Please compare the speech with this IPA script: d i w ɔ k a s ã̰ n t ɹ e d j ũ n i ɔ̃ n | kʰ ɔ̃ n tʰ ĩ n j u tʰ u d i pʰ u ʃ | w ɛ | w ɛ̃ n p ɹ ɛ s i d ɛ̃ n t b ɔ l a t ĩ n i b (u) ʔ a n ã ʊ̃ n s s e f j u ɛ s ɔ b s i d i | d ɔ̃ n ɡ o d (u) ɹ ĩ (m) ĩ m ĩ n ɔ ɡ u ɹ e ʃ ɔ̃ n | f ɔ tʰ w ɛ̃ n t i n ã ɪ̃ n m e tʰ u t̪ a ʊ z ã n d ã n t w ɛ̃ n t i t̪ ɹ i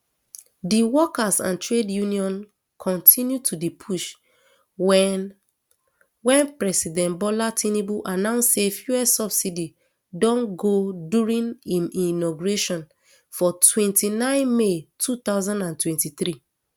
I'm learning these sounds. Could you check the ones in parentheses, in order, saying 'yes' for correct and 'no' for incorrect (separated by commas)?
yes, yes, no